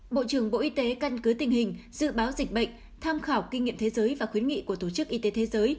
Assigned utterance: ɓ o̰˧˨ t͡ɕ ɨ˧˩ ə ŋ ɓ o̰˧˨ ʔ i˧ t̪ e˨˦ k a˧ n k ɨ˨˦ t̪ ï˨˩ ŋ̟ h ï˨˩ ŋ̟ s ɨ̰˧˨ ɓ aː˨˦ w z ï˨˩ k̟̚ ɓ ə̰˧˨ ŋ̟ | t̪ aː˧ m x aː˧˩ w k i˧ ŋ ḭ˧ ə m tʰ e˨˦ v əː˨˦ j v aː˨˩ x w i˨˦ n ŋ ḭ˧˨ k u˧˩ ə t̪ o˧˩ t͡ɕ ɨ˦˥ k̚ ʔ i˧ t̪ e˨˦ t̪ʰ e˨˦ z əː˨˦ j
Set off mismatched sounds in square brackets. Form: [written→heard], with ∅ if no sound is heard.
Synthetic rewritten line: ɓ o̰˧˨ t͡ɕ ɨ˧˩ ə ŋ ɓ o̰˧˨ ʔ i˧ t̪ e˨˦ k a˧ n k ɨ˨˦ t̪ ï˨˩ ŋ̟ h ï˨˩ ŋ̟ [s→z] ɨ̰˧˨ ɓ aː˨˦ w z ï˨˩ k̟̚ ɓ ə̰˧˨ ŋ̟ | [t̪→t̪ʰ] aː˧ m x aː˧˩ w k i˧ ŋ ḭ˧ ə m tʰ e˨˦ [v→z] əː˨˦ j v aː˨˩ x w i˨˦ n ŋ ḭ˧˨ k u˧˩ ə t̪ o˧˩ t͡ɕ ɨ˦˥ k̚ ʔ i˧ t̪ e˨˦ t̪ʰ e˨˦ z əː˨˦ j